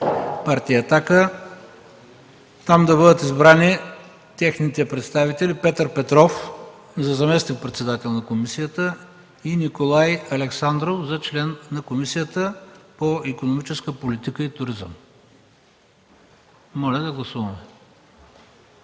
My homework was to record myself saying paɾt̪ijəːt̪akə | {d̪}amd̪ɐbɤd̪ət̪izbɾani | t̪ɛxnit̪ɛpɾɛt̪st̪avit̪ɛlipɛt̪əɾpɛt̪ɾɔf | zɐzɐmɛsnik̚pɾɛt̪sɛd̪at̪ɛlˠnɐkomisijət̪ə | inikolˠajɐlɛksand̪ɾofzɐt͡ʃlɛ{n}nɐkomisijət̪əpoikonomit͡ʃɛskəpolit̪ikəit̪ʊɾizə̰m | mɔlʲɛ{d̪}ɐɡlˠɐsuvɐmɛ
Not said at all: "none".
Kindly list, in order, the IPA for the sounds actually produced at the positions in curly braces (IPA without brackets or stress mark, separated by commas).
t̪, n, d̪